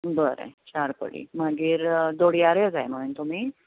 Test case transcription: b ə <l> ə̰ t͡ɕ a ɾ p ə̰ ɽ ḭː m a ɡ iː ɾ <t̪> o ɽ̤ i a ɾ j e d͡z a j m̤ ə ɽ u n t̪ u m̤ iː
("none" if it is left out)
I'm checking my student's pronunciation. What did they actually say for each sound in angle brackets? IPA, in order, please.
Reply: ɾ, d̪

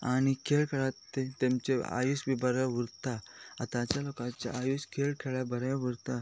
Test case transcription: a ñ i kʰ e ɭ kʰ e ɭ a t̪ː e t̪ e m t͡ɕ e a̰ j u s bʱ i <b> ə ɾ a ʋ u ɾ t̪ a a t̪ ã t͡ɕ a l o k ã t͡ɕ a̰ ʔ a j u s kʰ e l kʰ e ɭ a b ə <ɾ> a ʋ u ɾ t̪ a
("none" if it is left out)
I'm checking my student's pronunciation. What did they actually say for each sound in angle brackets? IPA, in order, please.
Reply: b, ɾ

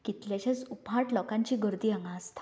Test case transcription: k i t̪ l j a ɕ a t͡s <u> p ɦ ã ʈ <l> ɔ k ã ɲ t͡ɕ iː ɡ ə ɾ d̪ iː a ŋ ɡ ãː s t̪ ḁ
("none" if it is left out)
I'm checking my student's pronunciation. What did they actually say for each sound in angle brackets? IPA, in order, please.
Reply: u, l

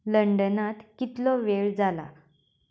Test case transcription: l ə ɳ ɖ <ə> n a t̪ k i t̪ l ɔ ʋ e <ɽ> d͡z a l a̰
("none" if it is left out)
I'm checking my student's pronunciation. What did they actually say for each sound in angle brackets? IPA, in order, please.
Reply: ə, ɭ

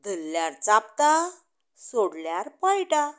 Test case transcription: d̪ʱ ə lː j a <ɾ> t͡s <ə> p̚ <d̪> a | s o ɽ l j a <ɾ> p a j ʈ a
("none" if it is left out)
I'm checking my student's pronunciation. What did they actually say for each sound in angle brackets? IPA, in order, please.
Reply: ɾ, a, t̪, ɾ

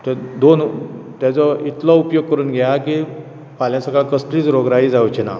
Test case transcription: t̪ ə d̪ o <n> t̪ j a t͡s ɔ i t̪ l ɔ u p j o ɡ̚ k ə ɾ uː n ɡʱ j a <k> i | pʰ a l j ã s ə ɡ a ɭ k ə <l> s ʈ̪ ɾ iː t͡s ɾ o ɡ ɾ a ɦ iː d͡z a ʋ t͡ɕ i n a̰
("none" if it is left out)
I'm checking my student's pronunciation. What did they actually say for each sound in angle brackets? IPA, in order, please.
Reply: n, k, none

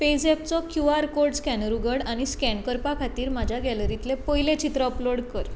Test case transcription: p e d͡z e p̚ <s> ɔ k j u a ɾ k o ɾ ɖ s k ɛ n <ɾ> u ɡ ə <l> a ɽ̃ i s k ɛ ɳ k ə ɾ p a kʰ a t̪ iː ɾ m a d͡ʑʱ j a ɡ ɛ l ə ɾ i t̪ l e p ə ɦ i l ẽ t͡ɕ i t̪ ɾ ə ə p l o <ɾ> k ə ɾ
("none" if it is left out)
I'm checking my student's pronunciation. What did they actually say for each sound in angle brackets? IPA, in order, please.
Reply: t͡s, ɾ, ɽ, ɽ

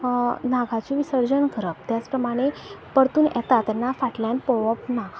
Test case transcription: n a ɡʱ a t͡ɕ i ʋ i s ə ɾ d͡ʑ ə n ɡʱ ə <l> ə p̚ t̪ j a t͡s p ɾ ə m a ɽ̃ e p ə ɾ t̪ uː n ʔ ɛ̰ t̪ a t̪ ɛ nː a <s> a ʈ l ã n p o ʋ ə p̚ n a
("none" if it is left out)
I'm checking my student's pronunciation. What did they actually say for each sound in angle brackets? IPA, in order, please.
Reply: ɾ, f

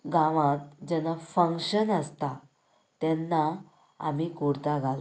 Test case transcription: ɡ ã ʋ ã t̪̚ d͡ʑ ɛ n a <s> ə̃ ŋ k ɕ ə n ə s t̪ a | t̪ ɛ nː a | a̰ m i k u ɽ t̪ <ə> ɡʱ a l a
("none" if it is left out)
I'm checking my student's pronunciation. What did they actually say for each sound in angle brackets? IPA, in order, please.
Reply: f, a

